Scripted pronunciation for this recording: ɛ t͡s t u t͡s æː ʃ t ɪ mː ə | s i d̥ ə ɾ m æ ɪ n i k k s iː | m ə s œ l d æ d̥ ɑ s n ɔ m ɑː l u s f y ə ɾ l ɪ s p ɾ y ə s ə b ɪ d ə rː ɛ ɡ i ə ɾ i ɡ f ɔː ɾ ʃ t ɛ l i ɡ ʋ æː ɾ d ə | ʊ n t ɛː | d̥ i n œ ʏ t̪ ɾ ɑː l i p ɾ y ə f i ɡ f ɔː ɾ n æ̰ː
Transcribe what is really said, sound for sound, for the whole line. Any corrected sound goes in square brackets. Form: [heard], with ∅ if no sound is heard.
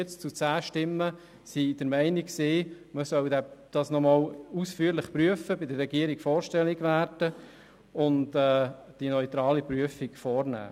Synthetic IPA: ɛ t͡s [t͡s] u t͡s æː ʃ t ɪ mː ə | s i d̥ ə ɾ m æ ɪ n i k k s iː | m ə s œ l d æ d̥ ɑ s n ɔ m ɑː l u s f y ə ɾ l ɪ [χ] p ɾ y ə [f] ə b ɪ d ə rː ɛ ɡ i ə ɾ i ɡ f ɔː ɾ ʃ t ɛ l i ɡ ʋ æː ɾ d ə | ʊ n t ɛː | d̥ i n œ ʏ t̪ ɾ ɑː l i p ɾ y ə f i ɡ f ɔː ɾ n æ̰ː